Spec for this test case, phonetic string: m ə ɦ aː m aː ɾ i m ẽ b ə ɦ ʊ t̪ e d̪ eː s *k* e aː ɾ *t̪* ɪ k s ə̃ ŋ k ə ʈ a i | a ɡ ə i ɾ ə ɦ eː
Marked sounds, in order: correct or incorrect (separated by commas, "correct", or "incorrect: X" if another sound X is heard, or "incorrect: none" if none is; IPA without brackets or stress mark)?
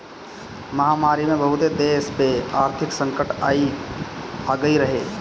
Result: incorrect: p, incorrect: t̪ʰ